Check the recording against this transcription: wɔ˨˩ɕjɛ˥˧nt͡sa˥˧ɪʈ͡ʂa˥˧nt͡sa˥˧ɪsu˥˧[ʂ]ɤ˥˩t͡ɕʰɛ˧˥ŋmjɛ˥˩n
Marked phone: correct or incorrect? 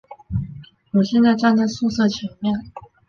incorrect